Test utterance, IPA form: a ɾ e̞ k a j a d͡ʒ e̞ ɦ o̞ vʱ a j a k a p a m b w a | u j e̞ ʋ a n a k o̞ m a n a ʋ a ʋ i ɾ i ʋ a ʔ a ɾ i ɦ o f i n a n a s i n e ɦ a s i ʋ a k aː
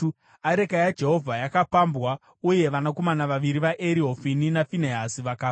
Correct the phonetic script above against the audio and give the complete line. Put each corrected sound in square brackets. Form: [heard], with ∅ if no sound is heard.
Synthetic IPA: a ɾ e̞ k a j a d͡ʒ e̞ ɦ o̞ vʱ a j a k a p a m b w a | u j e̞ ʋ a n a k o̞ m a n a ʋ a ʋ i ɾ i ʋ a ʔ [e] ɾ i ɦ o f i n [i] n a [f] i n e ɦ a s i ʋ a k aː